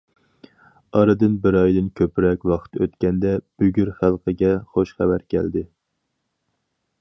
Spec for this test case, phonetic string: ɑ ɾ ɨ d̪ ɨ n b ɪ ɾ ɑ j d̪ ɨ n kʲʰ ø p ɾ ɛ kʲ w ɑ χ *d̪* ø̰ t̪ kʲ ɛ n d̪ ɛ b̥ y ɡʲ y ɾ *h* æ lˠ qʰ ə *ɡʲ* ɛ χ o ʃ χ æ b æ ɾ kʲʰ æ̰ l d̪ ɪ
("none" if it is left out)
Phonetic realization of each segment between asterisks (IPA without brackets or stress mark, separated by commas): t̪, χ, ɡʲ